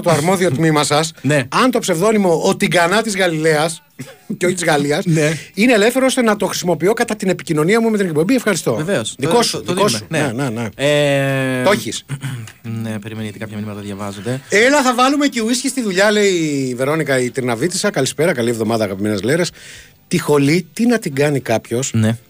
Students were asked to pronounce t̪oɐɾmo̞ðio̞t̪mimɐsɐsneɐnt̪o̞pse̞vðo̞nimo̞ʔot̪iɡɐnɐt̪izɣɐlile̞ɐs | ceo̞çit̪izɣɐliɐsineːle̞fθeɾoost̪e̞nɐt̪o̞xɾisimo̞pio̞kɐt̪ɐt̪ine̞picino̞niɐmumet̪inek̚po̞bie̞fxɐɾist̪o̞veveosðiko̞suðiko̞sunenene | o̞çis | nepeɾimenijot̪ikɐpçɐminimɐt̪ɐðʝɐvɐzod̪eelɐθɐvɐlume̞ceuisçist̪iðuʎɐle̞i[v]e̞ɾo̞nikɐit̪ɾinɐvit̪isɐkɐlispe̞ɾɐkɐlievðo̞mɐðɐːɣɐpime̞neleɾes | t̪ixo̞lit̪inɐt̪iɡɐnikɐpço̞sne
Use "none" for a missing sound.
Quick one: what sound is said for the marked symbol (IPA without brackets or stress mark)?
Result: v